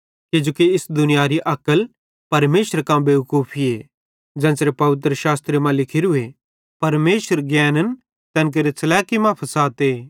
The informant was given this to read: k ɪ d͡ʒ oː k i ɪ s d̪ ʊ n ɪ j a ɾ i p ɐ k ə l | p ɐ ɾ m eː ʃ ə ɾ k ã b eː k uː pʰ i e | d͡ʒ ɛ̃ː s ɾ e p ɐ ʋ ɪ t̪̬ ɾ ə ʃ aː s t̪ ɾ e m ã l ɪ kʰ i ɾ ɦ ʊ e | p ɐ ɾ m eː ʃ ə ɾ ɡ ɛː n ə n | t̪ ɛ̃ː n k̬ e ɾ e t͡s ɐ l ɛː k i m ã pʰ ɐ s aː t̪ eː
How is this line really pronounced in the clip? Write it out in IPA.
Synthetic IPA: k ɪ d͡ʒ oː k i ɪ s d̪ ʊ n ɪ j a ɾ i ʔ ɐ k ə l | p ɐ ɾ m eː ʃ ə ɾ k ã b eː k uː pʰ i e | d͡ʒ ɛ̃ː s ɾ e p ɐ ʋ ɪ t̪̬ ɾ ə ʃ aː s t̪ ɾ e m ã l ɪ kʰ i ɾ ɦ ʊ e | p ɐ ɾ m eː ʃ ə ɾ ɡ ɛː n ə n | t̪ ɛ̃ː n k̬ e ɾ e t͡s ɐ l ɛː k i m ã pʰ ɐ s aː t̪ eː